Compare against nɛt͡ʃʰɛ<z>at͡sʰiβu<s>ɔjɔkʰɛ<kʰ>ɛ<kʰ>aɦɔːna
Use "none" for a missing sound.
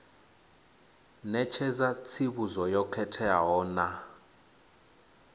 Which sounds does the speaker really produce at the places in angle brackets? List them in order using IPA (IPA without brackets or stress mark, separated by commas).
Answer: z, z, tʰ, none